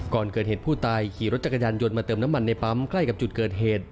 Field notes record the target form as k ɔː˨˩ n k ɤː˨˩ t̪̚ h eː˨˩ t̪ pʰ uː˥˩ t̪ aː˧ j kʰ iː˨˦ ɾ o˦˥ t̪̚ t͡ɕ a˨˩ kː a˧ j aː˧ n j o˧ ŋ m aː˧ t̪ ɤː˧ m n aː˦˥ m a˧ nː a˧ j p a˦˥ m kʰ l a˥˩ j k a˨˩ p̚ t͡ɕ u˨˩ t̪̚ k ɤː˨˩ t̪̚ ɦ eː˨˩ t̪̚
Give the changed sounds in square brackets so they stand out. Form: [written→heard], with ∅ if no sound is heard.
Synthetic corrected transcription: k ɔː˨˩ n k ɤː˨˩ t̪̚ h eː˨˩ t̪ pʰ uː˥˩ t̪ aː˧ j kʰ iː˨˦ ɾ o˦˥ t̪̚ t͡ɕ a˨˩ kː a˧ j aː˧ n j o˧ [ŋ→n] m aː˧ t̪ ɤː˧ m n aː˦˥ m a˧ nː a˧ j p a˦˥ m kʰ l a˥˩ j k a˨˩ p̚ t͡ɕ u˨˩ t̪̚ k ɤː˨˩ t̪̚ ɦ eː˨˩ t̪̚